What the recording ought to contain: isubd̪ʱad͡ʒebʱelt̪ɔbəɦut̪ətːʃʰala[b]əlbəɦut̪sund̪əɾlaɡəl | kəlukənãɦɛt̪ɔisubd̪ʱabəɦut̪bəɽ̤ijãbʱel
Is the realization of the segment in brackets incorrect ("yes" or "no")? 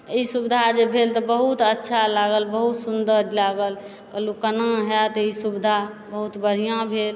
yes